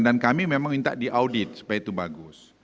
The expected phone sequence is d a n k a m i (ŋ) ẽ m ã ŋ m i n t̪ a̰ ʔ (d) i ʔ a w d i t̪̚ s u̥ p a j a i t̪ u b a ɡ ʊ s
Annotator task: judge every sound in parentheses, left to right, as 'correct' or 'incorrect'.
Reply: incorrect: m, correct

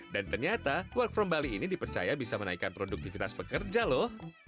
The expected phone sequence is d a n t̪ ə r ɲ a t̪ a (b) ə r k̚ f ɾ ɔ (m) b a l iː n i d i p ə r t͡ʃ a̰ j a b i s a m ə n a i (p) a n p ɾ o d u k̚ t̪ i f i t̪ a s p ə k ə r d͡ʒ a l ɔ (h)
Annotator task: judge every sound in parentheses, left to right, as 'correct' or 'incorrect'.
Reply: incorrect: w, correct, incorrect: k, correct

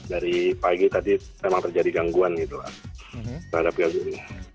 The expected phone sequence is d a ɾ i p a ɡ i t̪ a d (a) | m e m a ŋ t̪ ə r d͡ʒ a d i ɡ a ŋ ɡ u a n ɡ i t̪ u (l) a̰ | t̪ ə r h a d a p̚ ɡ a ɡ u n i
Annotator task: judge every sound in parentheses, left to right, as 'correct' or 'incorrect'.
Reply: incorrect: i, correct

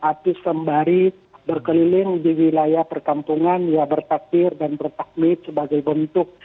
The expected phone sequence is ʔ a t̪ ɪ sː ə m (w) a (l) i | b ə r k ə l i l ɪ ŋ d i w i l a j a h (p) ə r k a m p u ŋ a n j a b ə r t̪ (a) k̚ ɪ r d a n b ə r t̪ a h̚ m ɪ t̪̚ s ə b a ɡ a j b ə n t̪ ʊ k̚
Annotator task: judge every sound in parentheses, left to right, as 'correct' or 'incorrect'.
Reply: incorrect: b, incorrect: ɾ, correct, correct

